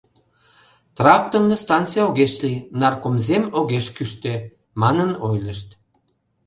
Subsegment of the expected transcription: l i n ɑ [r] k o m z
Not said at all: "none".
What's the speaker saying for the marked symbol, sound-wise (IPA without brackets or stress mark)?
r